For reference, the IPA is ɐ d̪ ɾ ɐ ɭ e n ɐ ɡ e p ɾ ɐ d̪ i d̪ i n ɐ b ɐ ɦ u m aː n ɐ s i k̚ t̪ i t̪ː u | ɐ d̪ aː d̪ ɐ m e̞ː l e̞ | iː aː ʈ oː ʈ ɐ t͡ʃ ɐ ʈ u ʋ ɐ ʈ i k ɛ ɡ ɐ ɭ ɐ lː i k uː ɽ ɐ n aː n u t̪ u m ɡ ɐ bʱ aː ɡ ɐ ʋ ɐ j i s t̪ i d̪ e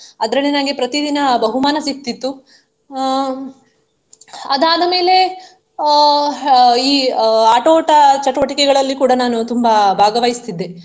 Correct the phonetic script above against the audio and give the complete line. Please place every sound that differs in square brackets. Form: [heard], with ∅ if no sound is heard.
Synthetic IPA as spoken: ɐ d̪ ɾ ɐ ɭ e n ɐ ɡ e p ɾ ɐ [t̪] i d̪ i n ɐ b ɐ ɦ u m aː n ɐ s i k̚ t̪ i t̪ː u | ɐ d̪ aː d̪ ɐ m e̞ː l e̞ | iː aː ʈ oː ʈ ɐ t͡ʃ ɐ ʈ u ʋ ɐ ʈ i k ɛ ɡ ɐ ɭ ɐ lː i k uː ɽ ɐ n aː n u t̪ u m [b] ɐ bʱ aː ɡ ɐ ʋ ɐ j i s t̪ i [d̪ː] e